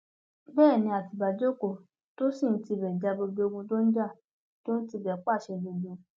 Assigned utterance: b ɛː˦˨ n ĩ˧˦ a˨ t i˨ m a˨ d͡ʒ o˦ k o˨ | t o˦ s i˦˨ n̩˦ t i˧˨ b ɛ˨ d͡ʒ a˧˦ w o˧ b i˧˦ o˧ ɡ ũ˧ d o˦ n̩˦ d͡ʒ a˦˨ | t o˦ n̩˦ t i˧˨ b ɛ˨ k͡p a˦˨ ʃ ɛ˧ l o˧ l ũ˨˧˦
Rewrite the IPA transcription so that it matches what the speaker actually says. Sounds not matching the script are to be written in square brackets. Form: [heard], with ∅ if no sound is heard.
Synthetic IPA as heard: b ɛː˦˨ n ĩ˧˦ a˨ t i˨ [b] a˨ d͡ʒ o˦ k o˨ | t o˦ s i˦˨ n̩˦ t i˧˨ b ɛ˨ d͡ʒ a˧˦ [b] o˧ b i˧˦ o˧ ɡ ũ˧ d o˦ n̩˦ d͡ʒ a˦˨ | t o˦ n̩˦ t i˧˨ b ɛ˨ k͡p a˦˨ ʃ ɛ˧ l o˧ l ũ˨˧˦